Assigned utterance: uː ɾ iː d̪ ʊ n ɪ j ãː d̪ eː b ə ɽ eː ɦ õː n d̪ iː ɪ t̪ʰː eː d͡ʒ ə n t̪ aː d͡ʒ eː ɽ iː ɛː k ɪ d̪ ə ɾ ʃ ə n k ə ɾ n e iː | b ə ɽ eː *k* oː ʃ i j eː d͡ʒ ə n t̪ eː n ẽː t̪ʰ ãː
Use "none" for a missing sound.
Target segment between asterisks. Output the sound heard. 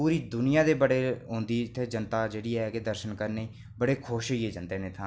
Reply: kʰ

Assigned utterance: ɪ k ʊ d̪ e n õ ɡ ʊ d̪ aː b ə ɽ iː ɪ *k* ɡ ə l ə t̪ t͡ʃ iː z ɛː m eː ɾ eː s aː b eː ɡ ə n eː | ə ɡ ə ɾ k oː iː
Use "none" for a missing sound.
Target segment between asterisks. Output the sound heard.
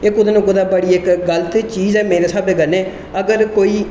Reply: k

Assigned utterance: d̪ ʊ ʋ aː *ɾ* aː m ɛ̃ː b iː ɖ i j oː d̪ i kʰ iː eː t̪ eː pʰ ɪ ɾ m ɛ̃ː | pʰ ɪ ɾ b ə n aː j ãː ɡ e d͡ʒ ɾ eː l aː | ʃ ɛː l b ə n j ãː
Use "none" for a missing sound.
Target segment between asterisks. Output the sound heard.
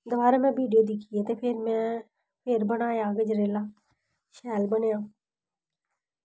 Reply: ɾ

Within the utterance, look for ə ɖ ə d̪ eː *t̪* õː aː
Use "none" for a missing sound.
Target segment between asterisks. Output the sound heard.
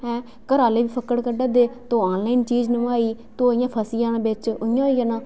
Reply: t̪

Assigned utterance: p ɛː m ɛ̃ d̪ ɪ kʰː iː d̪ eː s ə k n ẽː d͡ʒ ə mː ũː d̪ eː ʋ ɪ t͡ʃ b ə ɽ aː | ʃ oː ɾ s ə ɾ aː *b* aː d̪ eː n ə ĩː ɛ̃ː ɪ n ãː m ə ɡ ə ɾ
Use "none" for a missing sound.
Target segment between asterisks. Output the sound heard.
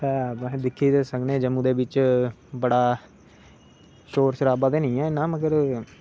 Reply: b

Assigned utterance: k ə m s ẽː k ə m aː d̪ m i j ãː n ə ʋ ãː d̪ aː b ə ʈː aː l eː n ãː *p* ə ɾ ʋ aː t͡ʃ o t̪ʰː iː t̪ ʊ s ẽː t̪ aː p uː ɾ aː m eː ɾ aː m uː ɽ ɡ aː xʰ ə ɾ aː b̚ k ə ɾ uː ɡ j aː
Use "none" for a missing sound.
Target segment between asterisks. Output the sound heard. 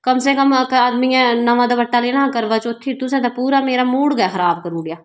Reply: k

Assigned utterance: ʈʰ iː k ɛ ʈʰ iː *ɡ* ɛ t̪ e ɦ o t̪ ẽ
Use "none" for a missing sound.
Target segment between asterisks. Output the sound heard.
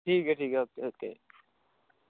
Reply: k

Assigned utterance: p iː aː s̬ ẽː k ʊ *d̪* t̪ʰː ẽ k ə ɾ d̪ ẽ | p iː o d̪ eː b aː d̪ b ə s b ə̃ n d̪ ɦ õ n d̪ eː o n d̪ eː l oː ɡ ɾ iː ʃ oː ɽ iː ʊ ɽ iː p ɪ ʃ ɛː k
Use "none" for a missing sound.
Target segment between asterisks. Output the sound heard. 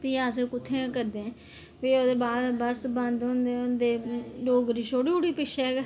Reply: none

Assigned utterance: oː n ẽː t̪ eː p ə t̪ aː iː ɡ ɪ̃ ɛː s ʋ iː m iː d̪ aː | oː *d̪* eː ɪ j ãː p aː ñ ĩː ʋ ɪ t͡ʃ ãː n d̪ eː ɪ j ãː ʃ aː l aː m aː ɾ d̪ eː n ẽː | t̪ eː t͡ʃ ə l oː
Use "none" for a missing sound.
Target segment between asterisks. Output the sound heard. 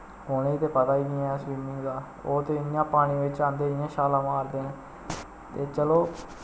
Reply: t̪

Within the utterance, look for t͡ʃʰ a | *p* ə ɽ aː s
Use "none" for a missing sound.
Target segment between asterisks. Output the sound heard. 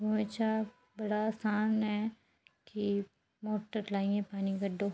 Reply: b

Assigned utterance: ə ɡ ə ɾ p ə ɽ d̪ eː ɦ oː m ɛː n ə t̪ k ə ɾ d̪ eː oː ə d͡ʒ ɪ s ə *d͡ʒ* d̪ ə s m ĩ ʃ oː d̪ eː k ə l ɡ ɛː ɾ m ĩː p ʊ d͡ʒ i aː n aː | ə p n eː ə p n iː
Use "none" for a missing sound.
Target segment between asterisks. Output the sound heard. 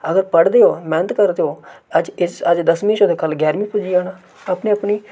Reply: d͡ʒ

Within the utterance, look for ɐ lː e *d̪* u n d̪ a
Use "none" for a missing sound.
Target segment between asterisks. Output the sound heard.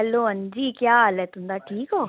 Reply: t̪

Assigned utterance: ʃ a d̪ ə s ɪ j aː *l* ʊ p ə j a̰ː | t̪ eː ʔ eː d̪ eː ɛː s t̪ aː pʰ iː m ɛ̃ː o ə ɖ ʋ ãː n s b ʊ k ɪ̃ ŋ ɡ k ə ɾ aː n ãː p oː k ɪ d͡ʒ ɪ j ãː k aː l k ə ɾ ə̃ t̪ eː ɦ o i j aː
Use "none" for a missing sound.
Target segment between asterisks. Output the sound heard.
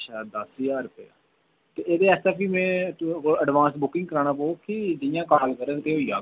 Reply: ɾ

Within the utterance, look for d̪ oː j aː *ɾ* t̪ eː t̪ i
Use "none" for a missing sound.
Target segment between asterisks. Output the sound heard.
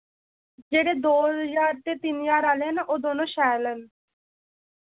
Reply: ɾ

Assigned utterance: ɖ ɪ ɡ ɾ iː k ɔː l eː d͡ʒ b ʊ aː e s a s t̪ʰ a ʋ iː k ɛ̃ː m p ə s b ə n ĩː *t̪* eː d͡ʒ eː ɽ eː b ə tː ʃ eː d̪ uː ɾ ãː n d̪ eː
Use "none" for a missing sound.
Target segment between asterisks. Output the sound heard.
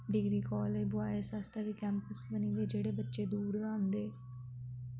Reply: d̪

